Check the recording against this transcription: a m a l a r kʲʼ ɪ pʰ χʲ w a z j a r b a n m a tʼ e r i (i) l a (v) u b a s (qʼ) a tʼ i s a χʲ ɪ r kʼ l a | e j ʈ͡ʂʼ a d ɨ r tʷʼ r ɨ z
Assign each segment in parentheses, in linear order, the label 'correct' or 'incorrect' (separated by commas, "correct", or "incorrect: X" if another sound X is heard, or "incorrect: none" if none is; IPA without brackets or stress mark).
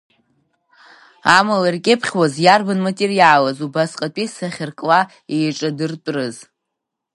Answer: incorrect: a, incorrect: z, correct